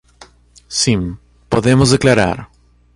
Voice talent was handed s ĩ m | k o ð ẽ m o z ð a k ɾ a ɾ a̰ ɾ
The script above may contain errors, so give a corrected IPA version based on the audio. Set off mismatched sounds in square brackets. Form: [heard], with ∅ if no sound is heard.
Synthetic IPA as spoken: s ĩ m | [p] o ð [e] m o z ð [e] k [l] a ɾ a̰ ɾ